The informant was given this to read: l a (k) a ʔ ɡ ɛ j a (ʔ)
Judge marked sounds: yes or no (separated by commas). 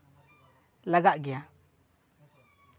no, no